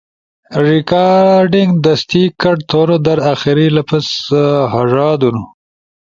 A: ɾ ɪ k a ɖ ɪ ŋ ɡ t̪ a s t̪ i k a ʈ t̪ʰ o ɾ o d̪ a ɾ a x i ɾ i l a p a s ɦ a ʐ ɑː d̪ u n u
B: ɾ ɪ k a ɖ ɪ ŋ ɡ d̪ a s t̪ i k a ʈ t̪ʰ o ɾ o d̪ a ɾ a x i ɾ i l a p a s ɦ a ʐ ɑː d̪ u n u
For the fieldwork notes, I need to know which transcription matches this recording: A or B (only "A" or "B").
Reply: B